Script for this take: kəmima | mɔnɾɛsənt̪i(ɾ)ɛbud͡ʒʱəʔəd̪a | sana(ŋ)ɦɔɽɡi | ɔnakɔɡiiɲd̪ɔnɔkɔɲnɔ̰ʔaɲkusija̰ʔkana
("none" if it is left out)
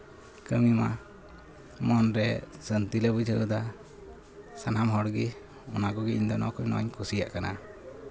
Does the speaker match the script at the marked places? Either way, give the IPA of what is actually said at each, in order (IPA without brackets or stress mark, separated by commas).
l, m